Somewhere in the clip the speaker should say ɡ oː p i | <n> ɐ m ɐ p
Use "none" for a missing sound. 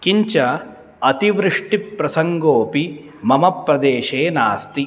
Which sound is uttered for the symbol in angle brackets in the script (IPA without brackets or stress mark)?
m